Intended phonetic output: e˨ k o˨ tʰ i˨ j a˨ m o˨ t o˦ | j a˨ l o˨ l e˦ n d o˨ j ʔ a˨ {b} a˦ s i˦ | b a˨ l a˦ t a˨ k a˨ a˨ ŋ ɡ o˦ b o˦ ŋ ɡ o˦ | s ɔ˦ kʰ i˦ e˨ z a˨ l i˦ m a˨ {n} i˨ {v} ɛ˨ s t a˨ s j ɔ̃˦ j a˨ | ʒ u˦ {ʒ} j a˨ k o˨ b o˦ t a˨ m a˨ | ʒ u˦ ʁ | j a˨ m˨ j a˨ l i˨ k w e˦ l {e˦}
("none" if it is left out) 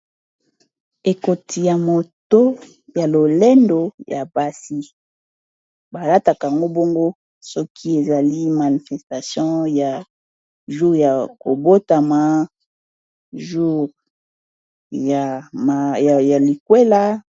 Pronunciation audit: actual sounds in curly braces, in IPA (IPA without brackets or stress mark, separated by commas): b, n, f, ʁ, a˦